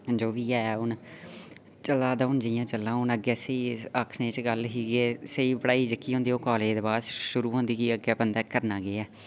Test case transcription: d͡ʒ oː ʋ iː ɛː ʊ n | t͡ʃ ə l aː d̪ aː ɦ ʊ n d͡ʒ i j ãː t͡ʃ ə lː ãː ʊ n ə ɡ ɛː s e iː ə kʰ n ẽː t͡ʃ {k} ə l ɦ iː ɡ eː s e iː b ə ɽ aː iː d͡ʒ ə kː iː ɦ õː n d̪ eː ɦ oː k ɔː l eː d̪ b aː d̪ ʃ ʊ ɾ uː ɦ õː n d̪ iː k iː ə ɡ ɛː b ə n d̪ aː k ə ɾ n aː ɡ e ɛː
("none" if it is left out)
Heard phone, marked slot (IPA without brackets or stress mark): ɡ